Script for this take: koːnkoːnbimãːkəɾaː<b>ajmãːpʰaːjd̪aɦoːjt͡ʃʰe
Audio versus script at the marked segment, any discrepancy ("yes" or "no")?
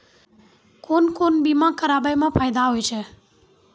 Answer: no